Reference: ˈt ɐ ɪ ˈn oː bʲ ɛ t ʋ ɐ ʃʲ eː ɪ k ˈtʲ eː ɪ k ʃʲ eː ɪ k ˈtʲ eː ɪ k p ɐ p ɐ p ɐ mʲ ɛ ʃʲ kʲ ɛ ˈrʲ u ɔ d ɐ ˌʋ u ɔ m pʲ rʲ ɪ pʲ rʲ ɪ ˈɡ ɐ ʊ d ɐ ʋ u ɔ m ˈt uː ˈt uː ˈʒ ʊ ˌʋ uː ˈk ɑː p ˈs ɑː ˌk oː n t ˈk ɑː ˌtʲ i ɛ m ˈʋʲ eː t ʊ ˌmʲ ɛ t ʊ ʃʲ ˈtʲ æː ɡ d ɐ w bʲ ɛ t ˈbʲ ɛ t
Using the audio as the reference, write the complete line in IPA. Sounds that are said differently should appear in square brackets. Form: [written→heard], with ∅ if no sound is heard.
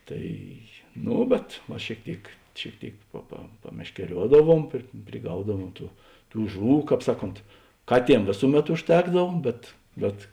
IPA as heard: ˈt ɐ ɪ ˈn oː bʲ ɛ t ʋ ɐ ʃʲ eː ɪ k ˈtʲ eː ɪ k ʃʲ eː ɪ k ˈtʲ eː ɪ k p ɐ p ɐ p ɐ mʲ ɛ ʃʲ kʲ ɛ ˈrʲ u ɔ d ɐ ˌʋ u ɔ m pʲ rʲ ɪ pʲ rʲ ɪ ˈɡ ɐ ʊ d ɐ ʋ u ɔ m ˈt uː ˈt uː ˈʒ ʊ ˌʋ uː ˈk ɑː p ˈs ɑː ˌk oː n t ˈk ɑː ˌtʲ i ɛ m ˈʋʲ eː [t→s] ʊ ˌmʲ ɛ t ʊ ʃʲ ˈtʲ æː ɡ d ɐ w bʲ ɛ t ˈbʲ ɛ t